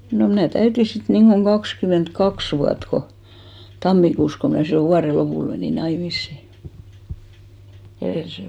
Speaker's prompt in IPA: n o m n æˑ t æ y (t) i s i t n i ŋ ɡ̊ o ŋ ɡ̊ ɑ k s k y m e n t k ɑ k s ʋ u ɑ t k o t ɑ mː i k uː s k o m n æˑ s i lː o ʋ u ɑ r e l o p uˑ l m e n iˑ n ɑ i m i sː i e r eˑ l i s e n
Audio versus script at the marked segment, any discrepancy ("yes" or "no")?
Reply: no